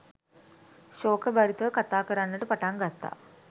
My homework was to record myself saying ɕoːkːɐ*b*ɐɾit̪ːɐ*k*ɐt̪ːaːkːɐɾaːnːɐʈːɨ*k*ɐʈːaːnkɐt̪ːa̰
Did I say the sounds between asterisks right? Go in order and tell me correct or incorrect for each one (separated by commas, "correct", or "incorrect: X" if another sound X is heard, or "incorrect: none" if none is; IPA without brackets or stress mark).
correct, correct, incorrect: p